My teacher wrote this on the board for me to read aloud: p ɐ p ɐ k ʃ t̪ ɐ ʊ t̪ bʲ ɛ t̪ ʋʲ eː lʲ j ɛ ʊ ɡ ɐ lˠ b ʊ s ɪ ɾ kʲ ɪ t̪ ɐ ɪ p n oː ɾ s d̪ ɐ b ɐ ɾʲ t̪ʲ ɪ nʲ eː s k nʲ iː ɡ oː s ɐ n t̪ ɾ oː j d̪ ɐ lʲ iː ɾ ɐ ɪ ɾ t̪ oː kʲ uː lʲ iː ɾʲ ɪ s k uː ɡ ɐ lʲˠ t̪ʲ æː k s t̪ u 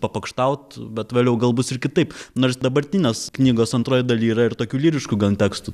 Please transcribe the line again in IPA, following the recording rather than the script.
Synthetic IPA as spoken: p ɐ p ɐ k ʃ t̪ ɐ ʊ t̪ bʲ ɛ t̪ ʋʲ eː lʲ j ɛ ʊ ɡ ɐ lˠ b ʊ s ɪ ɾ kʲ ɪ t̪ ɐ ɪ p n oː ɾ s d̪ ɐ b ɐ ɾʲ t̪ʲ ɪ nʲ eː s k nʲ iː ɡ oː s ɐ n t̪ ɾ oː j d̪ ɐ lʲ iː ɾ ɐ ɪ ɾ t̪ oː kʲ uː lʲ iː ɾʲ ɪ ʃ k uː ɡ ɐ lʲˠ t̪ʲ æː k s t̪ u